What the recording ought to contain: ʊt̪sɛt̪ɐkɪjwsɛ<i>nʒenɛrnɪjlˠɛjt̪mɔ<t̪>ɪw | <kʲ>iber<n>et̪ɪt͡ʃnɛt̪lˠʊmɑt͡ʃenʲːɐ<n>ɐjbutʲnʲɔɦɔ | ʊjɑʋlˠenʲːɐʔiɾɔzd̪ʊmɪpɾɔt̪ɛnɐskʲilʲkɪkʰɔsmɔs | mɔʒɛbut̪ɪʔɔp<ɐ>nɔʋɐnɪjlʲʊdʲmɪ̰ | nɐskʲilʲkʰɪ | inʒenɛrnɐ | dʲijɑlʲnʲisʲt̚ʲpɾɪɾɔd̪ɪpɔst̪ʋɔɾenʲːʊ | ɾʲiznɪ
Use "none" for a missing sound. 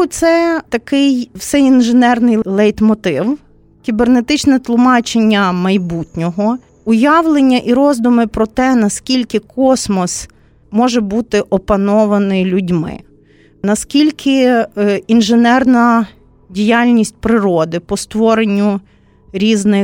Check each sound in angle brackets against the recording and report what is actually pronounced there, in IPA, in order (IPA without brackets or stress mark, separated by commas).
i, t̪, kʲ, n, m, ɐ